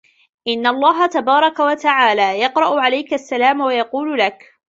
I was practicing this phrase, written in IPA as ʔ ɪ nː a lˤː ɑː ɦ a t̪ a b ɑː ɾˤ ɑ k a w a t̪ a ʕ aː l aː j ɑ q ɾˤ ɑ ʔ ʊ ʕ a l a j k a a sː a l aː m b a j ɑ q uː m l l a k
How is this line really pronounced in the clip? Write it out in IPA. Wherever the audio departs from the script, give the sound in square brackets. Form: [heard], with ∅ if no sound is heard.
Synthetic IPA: ʔ ɪ nː a lˤː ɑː ɦ a t̪ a b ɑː ɾˤ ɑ k a w a t̪ a ʕ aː l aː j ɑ q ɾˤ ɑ ʔ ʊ ʕ a l a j k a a sː a l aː m [w] a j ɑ q uː [∅] l l a k